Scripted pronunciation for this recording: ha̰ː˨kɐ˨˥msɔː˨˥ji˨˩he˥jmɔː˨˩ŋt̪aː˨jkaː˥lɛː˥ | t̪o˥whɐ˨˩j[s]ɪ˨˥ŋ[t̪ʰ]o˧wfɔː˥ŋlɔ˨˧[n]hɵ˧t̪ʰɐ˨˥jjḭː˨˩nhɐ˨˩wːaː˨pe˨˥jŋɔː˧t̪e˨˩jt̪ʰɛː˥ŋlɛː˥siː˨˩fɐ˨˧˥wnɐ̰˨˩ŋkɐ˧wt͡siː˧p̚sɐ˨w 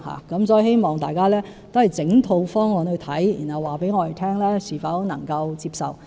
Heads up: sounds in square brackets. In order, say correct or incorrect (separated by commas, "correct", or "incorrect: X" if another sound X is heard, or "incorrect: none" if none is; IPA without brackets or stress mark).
incorrect: t͡s, correct, correct